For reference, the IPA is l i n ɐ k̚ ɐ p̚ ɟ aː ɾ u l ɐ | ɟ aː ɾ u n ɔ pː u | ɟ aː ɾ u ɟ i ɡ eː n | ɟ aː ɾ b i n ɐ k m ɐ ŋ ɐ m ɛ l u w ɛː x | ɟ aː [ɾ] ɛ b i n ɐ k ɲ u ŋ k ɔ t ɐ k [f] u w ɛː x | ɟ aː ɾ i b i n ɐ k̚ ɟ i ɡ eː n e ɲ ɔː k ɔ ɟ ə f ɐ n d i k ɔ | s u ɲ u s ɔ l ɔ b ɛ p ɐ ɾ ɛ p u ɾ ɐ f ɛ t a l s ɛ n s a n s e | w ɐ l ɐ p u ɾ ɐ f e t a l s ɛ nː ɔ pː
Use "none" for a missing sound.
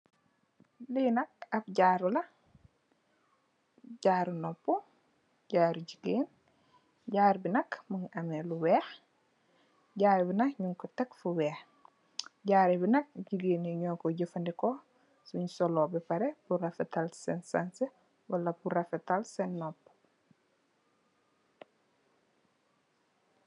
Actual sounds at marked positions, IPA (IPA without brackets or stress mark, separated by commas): ɾ, f